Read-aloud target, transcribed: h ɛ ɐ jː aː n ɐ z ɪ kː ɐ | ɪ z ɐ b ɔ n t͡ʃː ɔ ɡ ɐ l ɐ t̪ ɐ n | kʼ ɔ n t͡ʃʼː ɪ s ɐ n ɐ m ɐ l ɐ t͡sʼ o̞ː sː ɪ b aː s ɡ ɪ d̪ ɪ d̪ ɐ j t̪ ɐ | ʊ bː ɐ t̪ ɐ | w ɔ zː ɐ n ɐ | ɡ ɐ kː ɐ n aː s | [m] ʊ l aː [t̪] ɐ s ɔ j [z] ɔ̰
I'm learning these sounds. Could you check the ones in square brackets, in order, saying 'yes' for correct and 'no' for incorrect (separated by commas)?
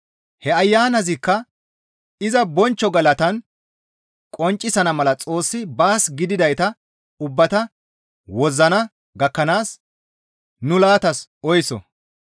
no, yes, no